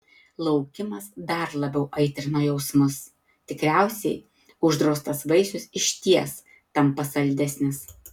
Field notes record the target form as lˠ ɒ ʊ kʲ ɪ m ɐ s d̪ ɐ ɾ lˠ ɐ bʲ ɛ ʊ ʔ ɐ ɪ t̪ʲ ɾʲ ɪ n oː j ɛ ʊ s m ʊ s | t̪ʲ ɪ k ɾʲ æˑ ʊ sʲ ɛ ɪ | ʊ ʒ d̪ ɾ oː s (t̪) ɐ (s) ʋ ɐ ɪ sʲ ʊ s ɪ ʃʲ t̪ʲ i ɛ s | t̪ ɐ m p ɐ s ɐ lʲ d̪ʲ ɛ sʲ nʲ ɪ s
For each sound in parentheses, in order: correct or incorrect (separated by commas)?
correct, correct